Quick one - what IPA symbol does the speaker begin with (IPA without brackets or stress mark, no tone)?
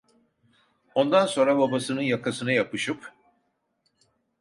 o̞